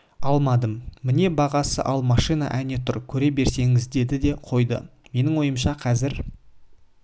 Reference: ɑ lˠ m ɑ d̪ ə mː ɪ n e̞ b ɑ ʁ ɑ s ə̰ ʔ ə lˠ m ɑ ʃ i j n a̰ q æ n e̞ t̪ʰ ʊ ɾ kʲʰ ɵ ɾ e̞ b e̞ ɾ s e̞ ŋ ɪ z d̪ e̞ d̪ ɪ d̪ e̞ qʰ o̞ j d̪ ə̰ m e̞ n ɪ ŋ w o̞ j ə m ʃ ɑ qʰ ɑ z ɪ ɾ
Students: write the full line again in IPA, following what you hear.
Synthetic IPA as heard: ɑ lˠ m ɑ d̪ ə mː ɪ n e̞ b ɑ ʁ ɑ s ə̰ ʔ ɑ lˠ m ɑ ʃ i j n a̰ ʔ æ n e̞ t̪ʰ ʊ ɾ kʲʰ ɵ ɾ e̞ b e̞ ɾ s e̞ ŋ ɪ z d̪ e̞ d̪ ɪ d̪ e̞ qʰ o̞ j d̪ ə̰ m e̞ n ɪ ŋ w o̞ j ə m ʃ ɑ qʰ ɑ z ɪ ɾ